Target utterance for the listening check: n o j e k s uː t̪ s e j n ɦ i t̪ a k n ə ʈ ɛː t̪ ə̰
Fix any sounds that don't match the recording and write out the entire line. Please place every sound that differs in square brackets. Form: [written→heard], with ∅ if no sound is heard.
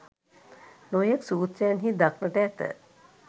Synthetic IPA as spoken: n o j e k s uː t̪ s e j n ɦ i [t̪→d̪] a k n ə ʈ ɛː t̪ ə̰